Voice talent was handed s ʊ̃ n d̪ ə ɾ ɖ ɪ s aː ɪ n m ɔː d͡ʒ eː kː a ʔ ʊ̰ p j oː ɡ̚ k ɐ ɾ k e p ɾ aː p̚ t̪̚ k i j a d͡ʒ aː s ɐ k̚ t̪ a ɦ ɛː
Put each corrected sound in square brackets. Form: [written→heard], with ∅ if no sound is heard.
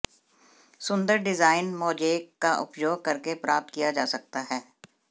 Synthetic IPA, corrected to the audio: s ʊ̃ n d̪ ə ɾ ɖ ɪ [s→z] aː ɪ n m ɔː d͡ʒ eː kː a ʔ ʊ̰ p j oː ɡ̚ k ɐ ɾ k e p ɾ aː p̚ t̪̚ k i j a d͡ʒ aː s ɐ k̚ t̪ a ɦ ɛː